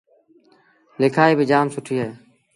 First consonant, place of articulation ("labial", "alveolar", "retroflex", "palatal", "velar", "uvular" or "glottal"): alveolar